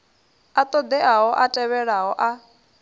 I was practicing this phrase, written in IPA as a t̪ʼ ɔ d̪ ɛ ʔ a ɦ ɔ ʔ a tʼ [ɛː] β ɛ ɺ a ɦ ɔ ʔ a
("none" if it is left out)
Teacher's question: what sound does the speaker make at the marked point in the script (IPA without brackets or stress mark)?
ɛ